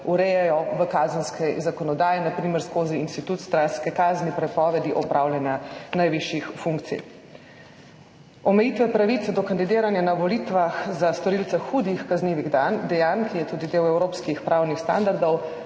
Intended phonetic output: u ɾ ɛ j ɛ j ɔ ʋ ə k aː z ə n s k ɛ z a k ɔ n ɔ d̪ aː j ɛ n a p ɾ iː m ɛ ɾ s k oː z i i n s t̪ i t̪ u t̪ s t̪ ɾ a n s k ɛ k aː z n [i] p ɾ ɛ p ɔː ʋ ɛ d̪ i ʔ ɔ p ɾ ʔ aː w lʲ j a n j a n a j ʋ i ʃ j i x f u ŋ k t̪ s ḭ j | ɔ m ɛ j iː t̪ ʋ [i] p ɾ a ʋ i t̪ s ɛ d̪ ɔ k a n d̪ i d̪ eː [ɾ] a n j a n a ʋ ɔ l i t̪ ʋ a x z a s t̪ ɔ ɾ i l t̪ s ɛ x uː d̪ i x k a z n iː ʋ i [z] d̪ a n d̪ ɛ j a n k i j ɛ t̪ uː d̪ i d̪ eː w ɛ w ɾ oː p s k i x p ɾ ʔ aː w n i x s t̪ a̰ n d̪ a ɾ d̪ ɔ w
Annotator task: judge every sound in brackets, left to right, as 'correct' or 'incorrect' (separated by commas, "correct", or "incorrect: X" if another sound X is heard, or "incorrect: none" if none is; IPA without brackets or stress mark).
correct, incorrect: ɛ, correct, incorrect: ɣ